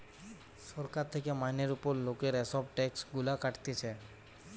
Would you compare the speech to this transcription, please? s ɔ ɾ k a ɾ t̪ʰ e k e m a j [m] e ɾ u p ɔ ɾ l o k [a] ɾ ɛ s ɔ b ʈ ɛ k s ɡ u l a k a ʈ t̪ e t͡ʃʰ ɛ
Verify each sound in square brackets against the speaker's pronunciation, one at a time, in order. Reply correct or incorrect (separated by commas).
incorrect, incorrect